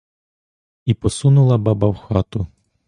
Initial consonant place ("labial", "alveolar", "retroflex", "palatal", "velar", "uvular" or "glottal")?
labial